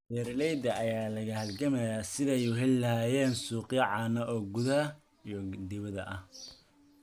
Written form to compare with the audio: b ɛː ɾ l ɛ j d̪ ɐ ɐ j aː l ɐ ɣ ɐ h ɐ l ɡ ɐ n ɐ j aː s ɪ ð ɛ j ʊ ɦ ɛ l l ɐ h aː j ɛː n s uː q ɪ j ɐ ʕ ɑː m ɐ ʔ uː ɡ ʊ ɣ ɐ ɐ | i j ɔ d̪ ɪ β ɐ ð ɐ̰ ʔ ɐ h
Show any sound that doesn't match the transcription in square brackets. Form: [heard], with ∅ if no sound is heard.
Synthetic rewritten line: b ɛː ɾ l ɛ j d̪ ɐ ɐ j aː l ɐ ɣ ɐ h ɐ l ɡ ɐ [m] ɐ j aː s ɪ ð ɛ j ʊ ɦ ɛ l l ɐ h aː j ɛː n s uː q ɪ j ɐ ʕ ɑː [n] ɐ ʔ [ɔː] ɡ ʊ [ð] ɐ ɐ | i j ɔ d̪ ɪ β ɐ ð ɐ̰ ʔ ɐ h